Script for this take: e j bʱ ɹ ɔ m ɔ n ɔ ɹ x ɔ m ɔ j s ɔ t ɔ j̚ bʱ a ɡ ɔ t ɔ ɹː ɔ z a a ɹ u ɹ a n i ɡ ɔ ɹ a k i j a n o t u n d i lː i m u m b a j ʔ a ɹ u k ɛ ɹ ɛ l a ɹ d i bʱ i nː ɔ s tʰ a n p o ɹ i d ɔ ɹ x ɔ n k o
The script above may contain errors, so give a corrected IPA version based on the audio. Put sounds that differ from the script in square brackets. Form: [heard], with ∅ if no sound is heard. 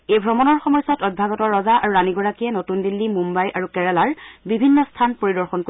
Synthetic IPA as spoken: e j bʱ ɹ ɔ m ɔ n ɔ ɹ x ɔ m ɔ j s ɔ t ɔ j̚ bʱ a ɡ ɔ t ɔ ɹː ɔ z a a ɹ u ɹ a n i ɡ ɔ ɹ a k i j [ɛ] n o t u n d i lː i m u m b a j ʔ a ɹ u k ɛ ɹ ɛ l a ɹ [b] i bʱ i nː ɔ s tʰ a n p o ɹ i d ɔ ɹ x ɔ n k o